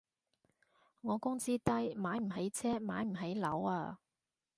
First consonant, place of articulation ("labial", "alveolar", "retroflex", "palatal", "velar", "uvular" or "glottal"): velar